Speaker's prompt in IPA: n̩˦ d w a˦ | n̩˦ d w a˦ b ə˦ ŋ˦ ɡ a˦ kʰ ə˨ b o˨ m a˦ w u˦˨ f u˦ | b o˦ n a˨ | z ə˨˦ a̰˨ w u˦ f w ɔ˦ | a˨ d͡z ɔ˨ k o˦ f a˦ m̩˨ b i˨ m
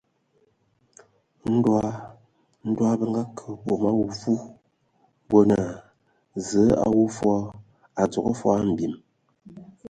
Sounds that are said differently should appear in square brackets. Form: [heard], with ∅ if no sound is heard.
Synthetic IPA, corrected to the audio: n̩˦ d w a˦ | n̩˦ d w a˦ b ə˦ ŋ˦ ɡ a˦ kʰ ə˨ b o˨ m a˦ w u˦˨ f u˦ | b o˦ n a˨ | z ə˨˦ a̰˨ w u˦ f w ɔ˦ | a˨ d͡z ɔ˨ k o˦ f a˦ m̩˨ b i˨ m